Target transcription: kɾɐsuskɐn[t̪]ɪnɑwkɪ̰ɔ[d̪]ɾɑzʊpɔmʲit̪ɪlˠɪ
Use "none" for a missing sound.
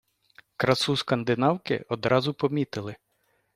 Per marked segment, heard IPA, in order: d̪, d̪

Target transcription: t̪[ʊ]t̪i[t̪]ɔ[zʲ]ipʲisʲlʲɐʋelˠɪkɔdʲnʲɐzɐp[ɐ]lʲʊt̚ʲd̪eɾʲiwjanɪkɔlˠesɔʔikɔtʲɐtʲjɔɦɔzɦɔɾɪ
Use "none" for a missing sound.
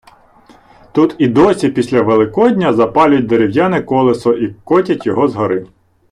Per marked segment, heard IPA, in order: u, d̪, sʲ, ɑ

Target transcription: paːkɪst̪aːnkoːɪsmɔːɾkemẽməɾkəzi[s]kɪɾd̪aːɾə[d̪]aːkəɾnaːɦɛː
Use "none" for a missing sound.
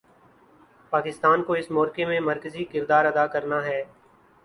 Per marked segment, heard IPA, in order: none, d̪

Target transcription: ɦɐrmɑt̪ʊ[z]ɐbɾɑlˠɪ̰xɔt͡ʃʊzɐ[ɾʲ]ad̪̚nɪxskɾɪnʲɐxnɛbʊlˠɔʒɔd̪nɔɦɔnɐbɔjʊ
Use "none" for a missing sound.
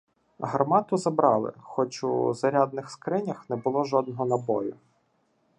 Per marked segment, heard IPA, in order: z, ɾʲ

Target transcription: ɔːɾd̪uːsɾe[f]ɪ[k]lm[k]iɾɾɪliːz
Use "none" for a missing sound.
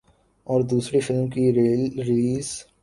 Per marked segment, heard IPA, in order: f, none, k

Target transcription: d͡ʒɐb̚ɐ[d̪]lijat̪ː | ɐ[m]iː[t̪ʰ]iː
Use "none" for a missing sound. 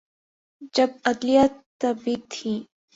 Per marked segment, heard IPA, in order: d̪, b, t̪ʰ

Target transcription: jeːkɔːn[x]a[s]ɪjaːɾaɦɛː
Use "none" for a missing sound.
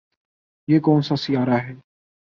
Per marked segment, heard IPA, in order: s, s

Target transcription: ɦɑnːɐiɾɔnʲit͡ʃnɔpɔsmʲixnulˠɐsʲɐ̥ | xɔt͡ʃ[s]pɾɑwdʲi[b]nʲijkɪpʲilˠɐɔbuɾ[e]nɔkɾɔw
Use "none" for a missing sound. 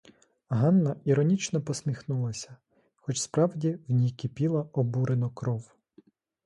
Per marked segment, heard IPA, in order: s, w, e

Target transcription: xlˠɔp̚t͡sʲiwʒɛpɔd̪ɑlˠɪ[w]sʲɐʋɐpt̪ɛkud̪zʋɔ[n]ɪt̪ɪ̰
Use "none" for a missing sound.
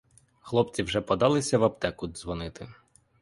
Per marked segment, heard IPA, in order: none, n

